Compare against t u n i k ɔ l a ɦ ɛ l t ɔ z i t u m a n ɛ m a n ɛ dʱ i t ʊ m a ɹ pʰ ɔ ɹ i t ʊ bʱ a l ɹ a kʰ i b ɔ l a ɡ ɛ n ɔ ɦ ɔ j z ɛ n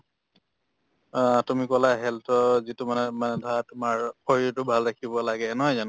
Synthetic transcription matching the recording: t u m i k ɔ l a ɦ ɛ l t ɔ z i t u m a n ɛ m a n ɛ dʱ a t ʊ m a ɹ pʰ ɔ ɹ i t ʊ bʱ a l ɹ a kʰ i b ɔ l a ɡ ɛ n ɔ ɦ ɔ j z a n